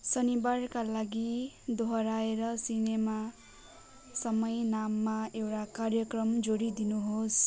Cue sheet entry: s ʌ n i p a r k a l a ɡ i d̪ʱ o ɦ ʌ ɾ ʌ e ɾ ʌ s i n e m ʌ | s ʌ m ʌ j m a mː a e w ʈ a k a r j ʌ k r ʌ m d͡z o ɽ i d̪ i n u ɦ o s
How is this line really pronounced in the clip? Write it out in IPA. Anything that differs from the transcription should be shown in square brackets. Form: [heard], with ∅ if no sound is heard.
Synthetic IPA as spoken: s ʌ n i [b] a r k a l a ɡ i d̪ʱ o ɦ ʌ ɾ [a] e ɾ ʌ s i n e m [a] | s ʌ m ʌ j [n] a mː a e w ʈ a k a r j ʌ k r ʌ m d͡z o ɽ i d̪ i n u ɦ o s